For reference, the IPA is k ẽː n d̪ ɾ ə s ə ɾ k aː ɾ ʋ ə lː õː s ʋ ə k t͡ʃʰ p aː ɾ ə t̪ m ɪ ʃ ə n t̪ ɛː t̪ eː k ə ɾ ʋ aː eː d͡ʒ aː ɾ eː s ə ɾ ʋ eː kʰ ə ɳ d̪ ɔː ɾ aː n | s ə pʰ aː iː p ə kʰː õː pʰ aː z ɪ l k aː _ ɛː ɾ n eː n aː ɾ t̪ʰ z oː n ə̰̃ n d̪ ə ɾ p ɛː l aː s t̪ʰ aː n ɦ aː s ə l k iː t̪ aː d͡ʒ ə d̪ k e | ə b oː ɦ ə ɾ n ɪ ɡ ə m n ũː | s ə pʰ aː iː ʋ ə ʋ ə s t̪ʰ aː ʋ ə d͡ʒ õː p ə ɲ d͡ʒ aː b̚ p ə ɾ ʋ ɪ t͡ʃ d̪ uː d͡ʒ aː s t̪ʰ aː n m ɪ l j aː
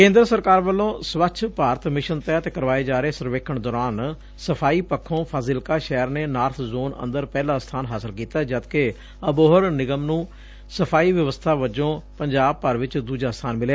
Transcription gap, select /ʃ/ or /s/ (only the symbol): ʃ